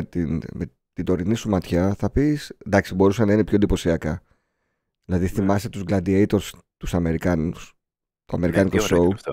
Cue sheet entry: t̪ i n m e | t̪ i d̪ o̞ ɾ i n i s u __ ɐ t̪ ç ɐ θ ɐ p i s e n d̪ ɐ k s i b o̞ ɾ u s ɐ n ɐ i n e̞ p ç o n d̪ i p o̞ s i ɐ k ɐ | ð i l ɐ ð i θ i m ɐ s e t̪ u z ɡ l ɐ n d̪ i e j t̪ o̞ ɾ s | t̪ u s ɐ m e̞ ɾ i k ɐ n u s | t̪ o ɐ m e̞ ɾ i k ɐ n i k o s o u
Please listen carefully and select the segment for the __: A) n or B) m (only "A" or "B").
B